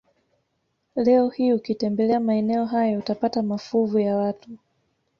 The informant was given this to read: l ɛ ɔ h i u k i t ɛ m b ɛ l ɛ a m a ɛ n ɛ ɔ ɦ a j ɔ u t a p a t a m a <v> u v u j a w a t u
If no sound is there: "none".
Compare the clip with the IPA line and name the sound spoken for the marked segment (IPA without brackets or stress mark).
f